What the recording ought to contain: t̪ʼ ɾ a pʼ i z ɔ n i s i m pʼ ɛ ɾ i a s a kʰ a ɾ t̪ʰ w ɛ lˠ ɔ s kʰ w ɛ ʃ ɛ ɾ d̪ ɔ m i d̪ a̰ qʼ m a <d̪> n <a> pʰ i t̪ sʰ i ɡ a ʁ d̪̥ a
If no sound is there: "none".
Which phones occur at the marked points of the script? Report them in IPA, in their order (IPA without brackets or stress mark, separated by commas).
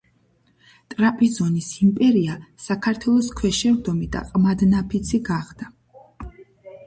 d̪, a